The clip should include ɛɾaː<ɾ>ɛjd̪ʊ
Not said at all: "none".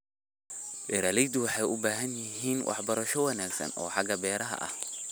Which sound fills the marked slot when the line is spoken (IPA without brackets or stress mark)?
l